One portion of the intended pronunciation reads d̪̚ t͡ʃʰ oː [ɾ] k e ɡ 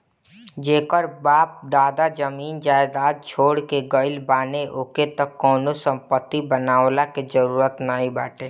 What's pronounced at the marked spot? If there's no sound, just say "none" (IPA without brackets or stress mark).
ɽ